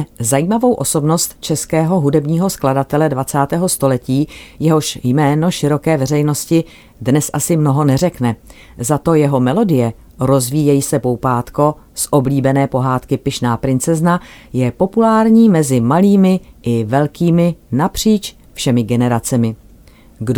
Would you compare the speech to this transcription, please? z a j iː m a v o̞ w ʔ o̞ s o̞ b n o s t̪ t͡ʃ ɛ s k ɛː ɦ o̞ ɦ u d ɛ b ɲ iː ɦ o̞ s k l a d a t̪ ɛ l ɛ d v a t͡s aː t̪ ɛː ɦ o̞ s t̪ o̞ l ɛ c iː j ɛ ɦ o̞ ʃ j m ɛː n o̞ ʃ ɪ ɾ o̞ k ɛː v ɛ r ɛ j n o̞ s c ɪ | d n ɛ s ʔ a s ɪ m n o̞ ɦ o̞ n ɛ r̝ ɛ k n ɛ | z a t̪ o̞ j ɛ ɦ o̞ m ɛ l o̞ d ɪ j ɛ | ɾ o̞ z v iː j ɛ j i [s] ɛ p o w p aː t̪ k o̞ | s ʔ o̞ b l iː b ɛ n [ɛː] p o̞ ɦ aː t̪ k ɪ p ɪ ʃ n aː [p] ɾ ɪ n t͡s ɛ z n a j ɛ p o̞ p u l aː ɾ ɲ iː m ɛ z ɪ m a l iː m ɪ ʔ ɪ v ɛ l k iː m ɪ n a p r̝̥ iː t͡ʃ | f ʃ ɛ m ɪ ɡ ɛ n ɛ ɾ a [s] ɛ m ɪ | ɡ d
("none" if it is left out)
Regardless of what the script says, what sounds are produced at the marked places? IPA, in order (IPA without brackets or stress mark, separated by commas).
s, ɛː, p, t͡s